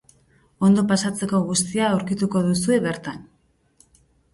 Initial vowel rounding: rounded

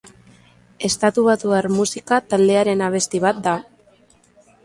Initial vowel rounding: unrounded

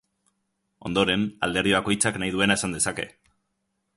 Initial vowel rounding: rounded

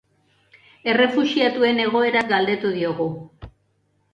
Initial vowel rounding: unrounded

